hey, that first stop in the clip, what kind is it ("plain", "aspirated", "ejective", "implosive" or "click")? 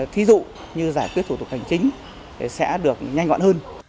aspirated